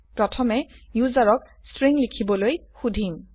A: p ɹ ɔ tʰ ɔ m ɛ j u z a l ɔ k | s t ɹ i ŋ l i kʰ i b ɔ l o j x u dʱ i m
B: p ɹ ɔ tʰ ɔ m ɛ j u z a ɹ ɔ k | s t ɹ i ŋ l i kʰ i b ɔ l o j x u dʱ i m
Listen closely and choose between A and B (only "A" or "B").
B